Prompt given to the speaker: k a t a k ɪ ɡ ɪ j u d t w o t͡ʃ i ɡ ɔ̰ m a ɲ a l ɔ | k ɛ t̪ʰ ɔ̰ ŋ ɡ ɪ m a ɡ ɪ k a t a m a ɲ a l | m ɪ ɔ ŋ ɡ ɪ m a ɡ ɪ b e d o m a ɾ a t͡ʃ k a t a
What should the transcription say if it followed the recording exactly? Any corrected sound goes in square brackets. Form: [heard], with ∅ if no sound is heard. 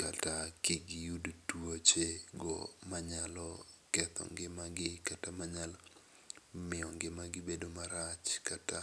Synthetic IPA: k a t a k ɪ ɡ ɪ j u d t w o t͡ʃ [e] ɡ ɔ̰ m a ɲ a l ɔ | k ɛ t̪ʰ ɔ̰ ŋ ɡ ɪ m a ɡ ɪ k a t a m a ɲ a l | m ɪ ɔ ŋ ɡ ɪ m a ɡ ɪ b e d o m a ɾ a t͡ʃ k a t a